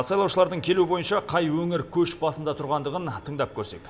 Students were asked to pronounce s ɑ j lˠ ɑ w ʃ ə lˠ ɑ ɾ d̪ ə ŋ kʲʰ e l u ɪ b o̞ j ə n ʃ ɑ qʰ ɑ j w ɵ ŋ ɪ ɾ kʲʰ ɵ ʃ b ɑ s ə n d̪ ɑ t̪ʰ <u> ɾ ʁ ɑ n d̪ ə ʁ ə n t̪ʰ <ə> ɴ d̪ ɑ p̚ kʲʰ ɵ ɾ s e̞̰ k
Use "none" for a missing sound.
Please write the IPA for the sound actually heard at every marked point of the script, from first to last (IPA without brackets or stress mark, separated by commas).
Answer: ʊ, ə